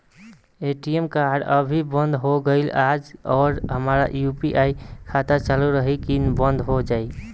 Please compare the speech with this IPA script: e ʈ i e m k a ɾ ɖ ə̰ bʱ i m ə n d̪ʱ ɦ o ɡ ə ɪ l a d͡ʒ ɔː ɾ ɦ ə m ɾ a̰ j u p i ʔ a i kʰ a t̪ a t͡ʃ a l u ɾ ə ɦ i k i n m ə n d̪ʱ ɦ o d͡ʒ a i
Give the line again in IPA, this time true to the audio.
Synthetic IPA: e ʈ i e m k a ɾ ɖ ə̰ bʱ i b ə n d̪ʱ ɦ o ɡ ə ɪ l a d͡ʒ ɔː ɾ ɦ ə m ɾ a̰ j u p i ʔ a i kʰ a t̪ a t͡ʃ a l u ɾ ə ɦ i k i n b ə n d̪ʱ ɦ o d͡ʒ a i